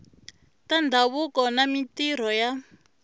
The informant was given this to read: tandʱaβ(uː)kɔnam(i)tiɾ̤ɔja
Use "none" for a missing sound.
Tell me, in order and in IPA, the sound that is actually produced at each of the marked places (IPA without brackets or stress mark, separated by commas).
u, i